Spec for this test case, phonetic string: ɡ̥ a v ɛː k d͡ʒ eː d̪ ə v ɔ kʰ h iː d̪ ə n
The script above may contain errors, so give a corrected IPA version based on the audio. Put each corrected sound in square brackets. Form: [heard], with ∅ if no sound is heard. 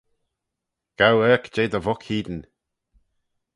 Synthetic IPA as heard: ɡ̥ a [w] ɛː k d͡ʒ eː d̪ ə v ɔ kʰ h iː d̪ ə n